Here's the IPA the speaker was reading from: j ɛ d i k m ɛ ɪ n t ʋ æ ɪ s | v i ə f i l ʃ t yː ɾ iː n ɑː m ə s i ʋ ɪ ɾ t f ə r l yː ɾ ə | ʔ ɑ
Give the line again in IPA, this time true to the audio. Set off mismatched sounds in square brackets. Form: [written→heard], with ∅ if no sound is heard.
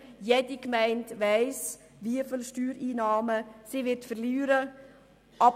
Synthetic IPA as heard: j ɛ d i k m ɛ ɪ n t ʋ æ ɪ s | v i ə f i l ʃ t yː ɾ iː n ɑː m ə s i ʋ ɪ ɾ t f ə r l yː ɾ ə | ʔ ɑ